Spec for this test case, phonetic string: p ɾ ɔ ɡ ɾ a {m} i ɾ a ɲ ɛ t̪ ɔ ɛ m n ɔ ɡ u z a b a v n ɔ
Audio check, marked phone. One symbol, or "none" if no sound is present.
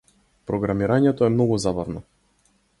m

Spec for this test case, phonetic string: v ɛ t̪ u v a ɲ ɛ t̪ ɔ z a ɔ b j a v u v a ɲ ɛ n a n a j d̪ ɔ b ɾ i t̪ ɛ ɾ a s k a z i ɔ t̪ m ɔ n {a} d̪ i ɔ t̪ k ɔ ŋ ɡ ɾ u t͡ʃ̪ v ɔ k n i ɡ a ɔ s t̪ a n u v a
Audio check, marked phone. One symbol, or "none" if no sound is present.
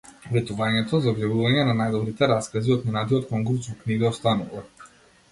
a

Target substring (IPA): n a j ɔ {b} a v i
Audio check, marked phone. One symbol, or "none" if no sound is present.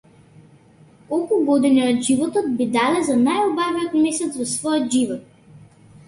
b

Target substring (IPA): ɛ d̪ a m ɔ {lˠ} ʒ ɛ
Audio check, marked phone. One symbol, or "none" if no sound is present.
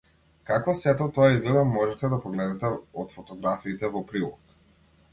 none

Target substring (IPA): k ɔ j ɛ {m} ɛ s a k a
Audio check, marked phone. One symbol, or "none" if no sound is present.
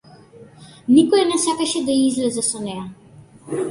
n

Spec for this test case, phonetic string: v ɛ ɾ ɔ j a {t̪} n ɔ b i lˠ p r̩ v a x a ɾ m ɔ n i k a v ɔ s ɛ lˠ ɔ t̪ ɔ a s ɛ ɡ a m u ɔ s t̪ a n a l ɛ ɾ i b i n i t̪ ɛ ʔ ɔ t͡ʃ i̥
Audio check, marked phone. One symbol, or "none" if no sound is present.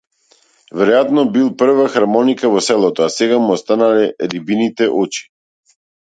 t̪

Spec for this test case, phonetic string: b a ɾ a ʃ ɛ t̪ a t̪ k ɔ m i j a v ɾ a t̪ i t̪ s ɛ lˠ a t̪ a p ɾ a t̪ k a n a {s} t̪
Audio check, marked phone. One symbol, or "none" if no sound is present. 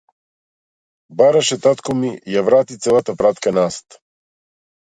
s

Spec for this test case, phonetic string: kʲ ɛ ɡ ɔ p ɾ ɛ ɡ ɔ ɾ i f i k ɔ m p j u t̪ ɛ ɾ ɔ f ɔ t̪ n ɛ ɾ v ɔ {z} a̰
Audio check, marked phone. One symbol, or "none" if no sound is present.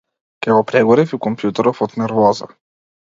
z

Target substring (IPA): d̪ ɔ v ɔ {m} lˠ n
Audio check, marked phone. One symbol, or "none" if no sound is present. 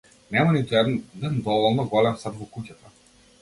none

